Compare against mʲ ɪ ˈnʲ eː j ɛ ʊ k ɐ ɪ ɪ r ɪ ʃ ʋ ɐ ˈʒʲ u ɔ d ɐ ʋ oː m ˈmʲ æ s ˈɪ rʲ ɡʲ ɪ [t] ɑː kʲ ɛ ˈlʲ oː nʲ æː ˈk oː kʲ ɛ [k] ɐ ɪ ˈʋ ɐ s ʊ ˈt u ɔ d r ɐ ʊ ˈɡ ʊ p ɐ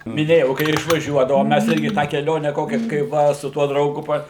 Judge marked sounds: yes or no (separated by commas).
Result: yes, yes